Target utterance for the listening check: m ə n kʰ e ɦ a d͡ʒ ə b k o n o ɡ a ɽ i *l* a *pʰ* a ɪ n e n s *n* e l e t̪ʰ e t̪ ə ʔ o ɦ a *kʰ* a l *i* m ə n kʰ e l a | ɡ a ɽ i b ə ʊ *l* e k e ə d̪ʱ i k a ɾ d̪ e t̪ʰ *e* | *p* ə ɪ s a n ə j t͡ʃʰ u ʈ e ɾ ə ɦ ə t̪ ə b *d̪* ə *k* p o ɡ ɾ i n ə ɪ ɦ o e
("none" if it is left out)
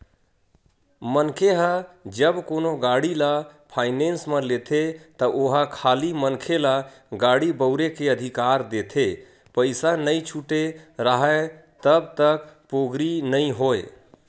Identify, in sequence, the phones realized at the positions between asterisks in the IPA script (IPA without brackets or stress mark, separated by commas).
l, pʰ, m, kʰ, i, ɾ, e, p, t̪, k